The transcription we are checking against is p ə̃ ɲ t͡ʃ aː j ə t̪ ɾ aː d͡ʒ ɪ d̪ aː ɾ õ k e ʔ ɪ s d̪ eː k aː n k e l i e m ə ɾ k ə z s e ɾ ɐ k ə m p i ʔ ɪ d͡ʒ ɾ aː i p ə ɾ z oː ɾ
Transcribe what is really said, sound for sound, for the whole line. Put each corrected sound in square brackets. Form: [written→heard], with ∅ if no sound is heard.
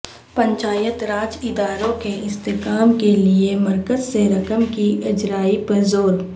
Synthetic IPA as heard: p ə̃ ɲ t͡ʃ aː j ə t̪ ɾ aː d͡ʒ ɪ d̪ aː ɾ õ k e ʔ ɪ s [d̪→t̪] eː k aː [n→m] k e l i e m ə ɾ k ə z s e ɾ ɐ k ə m [p→k] i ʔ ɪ d͡ʒ ɾ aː i p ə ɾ z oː ɾ